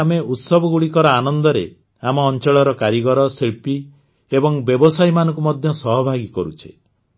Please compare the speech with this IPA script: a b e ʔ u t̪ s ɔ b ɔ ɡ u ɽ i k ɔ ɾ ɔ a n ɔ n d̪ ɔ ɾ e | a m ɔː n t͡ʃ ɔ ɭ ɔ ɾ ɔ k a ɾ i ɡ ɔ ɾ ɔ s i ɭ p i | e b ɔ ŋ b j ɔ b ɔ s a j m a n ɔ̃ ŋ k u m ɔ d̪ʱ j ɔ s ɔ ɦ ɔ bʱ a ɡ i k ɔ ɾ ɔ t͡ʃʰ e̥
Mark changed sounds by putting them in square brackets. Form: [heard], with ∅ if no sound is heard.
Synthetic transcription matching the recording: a [m] e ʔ u t̪ s ɔ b ɔ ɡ u ɽ i k ɔ ɾ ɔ a n ɔ n d̪ ɔ ɾ e | a m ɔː n t͡ʃ ɔ ɭ ɔ ɾ ɔ k a ɾ i ɡ ɔ ɾ ɔ s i ɭ p i | e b ɔ ŋ b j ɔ b ɔ s a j m a n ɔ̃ ŋ k u m ɔ d̪ʱ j ɔ s ɔ ɦ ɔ bʱ a ɡ i k ɔ ɾ [u] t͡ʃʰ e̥